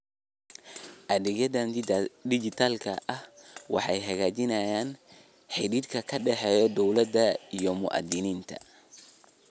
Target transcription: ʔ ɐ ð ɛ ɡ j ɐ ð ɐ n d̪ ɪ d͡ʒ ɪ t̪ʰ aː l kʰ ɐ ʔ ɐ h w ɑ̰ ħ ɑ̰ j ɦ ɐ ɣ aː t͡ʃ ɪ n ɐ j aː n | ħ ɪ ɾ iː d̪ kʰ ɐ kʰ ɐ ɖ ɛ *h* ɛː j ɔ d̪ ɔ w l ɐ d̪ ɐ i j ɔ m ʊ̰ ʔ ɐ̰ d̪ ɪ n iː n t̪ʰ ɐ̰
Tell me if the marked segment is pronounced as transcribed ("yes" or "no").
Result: no